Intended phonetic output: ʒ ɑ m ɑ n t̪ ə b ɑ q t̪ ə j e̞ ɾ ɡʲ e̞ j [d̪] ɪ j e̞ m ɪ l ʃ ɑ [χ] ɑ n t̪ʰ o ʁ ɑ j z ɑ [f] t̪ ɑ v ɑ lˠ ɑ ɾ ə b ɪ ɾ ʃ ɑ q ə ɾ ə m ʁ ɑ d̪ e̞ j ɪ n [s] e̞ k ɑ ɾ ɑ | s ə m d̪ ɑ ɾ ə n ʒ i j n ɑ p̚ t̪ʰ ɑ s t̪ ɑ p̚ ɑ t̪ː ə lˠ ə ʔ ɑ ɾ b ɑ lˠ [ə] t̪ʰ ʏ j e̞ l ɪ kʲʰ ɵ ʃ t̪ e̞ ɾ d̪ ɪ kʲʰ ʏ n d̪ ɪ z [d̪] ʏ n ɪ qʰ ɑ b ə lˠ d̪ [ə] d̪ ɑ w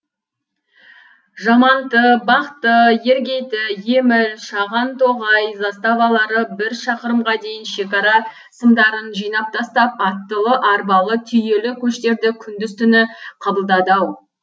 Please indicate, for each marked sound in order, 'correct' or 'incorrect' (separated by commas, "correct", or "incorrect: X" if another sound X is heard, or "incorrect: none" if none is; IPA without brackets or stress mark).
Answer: incorrect: t̪, incorrect: ʁ, incorrect: s, incorrect: ʃ, correct, incorrect: t̪, incorrect: ɑ